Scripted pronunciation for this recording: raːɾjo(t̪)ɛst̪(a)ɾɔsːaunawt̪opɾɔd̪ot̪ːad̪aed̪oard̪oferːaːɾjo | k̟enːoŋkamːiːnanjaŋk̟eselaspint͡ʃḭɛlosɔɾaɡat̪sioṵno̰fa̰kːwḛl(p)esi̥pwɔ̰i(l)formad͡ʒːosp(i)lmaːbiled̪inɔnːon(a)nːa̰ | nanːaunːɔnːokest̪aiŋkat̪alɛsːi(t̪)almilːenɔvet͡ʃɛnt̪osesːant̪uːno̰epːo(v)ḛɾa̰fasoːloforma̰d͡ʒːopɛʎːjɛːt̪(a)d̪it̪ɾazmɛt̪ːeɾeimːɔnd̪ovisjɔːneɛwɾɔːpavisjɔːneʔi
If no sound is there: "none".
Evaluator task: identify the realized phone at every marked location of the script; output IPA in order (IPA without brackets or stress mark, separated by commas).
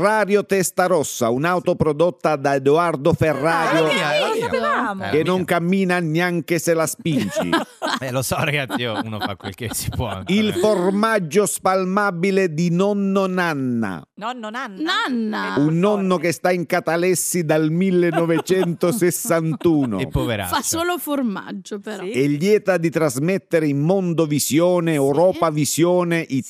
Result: t̪, a, k, l, a, a, d̪, v, a